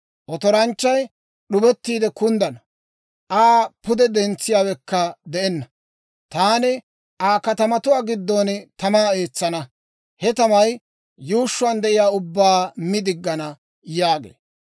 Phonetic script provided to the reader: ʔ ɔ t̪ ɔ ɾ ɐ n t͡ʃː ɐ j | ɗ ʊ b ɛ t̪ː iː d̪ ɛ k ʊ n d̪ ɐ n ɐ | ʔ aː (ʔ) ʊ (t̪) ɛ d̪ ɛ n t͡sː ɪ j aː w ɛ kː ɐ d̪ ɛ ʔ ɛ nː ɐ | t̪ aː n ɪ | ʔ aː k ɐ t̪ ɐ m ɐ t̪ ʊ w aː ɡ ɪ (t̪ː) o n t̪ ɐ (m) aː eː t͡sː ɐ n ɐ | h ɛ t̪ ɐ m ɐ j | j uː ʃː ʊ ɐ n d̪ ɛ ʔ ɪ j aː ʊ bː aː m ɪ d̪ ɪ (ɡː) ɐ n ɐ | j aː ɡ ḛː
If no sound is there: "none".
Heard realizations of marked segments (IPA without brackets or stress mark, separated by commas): p, d̪, d̪ː, m, ɡː